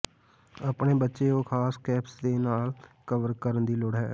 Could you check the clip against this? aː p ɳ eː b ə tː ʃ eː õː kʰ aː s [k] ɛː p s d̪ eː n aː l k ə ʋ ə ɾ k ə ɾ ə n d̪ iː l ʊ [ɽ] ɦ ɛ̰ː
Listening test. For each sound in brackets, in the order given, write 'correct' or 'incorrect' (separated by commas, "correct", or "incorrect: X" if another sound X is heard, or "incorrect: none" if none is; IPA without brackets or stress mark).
correct, correct